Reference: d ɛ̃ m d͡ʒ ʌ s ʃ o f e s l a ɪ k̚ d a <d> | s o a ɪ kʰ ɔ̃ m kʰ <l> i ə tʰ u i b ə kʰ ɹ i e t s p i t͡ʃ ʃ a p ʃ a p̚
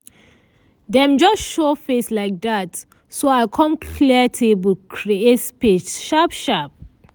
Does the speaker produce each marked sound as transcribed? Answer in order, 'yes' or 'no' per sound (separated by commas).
no, yes